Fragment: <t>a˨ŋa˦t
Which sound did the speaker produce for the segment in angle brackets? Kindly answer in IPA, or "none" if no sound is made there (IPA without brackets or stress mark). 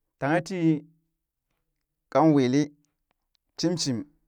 t